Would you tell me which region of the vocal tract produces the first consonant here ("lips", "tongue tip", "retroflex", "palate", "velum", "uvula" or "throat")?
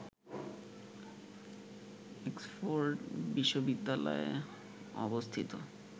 velum